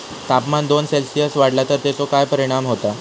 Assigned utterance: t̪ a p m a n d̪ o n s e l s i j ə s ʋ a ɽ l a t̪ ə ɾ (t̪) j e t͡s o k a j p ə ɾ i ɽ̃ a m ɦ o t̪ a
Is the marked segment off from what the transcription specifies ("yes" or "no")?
no